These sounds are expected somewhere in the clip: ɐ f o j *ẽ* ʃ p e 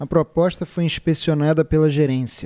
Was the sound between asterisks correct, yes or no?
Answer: no